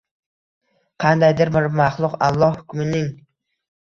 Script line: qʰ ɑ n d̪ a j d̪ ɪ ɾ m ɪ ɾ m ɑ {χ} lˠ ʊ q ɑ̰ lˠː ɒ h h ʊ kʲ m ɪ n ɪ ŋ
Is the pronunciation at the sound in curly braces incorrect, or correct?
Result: correct